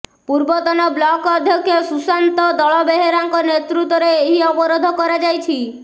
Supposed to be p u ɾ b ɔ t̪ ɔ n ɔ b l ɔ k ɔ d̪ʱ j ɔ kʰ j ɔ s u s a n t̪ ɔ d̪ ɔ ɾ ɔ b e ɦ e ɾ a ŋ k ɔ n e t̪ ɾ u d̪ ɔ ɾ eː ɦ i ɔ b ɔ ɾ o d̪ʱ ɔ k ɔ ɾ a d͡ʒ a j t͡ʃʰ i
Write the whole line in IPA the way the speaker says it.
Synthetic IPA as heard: p u ɾ b ɔ t̪ ɔ n ɔ b l ɔ k ɔ d̪ʱ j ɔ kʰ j ɔ s u s a n t̪ ɔ d̪ ɔ ɭ ɔ b e ɦ e ɾ a ŋ k ɔ n e t̪ ɾ u t̪ ɔ ɾ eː ɦ i ɔ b ɔ ɾ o d̪ʱ ɔ k ɔ ɾ a d͡ʒ a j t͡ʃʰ i